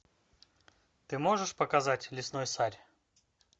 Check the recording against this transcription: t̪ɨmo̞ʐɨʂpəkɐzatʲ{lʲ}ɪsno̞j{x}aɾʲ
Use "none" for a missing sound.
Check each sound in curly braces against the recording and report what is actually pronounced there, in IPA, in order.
lʲ, s

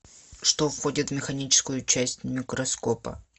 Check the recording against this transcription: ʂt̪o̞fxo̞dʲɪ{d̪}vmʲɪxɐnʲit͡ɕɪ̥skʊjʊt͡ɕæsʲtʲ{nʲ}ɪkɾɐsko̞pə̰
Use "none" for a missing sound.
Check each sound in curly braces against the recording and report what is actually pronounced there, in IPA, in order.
t̪, mʲ

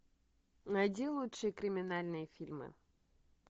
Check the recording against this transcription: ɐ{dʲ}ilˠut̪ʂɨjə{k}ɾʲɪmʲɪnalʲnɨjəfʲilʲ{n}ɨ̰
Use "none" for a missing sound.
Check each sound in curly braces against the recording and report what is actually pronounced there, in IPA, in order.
dʲ, k, m

